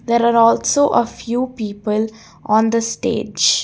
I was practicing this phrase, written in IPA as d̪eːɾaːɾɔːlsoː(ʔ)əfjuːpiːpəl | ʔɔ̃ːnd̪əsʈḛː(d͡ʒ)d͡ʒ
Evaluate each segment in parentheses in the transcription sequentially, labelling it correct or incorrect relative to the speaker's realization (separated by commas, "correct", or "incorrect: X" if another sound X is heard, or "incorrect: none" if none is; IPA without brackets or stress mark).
correct, correct